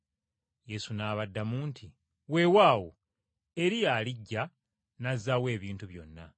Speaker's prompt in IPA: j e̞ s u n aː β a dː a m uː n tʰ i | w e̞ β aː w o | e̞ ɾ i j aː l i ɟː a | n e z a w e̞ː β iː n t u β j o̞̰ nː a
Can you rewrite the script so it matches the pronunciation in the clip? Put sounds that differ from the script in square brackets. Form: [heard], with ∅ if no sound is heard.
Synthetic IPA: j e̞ s u n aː β a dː a m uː n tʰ i | w e̞ [w] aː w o | e̞ ɾ i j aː l i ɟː a | n [a] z a w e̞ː β iː n t u β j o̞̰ nː a

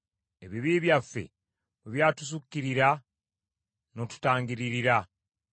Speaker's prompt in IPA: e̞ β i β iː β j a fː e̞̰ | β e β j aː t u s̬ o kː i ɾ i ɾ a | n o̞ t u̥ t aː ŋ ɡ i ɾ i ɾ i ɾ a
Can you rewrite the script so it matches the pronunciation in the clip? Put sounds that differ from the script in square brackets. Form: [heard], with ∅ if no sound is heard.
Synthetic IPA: e̞ β i β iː β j a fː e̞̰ | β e β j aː t u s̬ [u] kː i ɾ i ɾ a | n o̞ t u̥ t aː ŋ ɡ i ɾ i ɾ i ɾ a

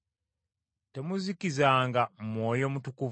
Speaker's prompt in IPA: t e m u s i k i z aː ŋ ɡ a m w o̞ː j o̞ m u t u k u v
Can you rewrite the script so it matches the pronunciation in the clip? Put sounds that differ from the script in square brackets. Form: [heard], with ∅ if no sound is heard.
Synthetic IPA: t e m u [z] i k i z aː ŋ ɡ a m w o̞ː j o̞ m u t u k u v

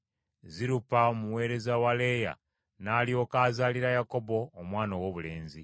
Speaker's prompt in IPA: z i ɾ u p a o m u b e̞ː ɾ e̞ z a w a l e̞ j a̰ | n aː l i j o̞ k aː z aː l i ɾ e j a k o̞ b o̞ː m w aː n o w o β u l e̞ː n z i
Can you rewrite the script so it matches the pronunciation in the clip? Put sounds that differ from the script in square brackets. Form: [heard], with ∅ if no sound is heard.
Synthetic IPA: z i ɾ u p a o m u [w] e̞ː ɾ e̞ z a w a l e̞ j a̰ | n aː l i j o̞ k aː z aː l i ɾ [a] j a k o̞ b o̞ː m w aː n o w o β u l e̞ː n z i

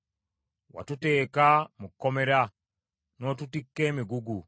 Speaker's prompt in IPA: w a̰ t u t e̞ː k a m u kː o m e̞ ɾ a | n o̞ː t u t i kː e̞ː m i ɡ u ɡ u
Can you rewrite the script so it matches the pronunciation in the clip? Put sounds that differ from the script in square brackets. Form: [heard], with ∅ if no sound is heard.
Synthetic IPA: w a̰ t u t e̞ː k a m u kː o m e̞ ɾ a | n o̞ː t u t i kː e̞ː m i ɡ u ɡ u

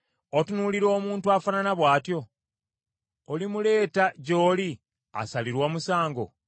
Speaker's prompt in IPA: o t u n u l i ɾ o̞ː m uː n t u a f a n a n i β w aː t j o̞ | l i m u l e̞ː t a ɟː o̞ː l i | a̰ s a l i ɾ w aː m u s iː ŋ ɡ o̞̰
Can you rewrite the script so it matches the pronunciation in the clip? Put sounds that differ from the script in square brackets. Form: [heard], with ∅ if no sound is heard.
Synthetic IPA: o t u n u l i ɾ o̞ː m uː n t u a f a n a n [a] β w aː t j o̞ | l i m u l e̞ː t a [ɟ] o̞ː l i | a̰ s a l i ɾ w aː m u s [aː] ŋ ɡ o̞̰

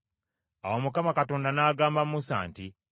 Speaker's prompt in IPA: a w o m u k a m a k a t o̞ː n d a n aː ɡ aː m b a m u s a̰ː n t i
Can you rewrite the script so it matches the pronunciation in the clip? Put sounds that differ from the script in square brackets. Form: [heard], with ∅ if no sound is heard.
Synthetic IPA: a w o m u k a m a k a t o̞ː n d a n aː ɡ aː m b a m u s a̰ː n t i

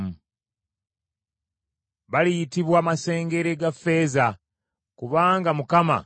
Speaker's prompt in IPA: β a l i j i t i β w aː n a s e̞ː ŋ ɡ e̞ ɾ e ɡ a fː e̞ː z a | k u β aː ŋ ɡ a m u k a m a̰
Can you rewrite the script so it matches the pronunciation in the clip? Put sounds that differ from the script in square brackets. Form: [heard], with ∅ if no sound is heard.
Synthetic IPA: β a l i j i t i β w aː [m] a s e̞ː ŋ ɡ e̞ ɾ e ɡ a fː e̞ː z a | k u β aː ŋ ɡ a m u k a m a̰

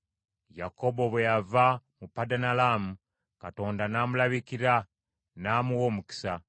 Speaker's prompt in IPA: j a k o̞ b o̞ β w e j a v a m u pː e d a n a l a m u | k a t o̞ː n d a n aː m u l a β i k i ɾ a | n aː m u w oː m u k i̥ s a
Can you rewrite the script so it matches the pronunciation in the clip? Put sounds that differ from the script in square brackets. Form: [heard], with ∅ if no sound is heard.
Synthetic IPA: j a k o̞ b o̞ β w e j a v a m u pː [a] d a n a l a m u | k a t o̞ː n d a n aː m u l a β i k i ɾ a | n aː m u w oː m u k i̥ s a

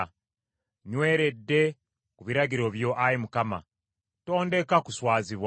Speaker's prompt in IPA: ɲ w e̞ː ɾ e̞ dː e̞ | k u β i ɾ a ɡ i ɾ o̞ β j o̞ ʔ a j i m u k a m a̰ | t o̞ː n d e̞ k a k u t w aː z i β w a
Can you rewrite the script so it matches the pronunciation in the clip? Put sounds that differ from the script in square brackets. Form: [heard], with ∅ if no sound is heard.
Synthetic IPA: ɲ w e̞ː ɾ e̞ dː e̞ | k u β i ɾ a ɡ i ɾ o̞ β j o̞ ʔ a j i m u k a m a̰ | t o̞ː n d e̞ k a k u [s] w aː z i β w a

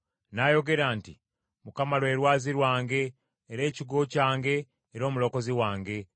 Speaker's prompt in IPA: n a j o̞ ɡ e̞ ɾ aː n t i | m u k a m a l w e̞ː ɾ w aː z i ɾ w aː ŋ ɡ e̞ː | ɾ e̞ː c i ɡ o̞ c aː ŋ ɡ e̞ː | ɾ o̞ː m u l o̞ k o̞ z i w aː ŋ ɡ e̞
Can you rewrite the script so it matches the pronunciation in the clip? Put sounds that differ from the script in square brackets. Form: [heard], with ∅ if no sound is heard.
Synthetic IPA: n a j o̞ ɡ e̞ ɾ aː n t i | m u k a m a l w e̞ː ɾ w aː z i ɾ w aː ŋ ɡ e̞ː | ɾ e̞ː c i ɡ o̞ c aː ŋ ɡ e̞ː | ɾ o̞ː m u l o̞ k o̞ z i w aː ŋ ɡ e̞

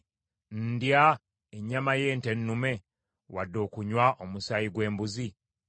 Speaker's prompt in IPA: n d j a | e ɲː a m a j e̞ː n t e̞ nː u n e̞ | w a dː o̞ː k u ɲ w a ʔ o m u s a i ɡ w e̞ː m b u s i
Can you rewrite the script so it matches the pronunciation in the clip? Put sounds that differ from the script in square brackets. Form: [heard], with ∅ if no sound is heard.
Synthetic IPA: n d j a | e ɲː a m a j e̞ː n t e̞ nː u [m] e̞ | w a dː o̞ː k u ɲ w a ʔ o m u s a i ɡ w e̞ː m b u [z] i

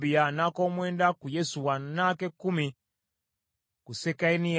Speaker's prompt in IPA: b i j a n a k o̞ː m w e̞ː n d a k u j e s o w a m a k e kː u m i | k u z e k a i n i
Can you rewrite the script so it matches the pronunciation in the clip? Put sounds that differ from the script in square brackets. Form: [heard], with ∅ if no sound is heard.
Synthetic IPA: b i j a n a k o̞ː m w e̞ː n d a k u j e s [u] w a [n] a k e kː u m i | k u [s] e k a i n i

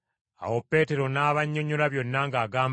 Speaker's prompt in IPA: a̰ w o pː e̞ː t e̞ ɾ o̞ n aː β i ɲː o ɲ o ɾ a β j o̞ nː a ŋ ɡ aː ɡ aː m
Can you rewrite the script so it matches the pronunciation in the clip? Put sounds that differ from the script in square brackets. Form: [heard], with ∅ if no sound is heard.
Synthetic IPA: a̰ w o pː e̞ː t e̞ ɾ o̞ n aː β [a] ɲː o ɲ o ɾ a β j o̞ nː a ŋ ɡ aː ɡ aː m

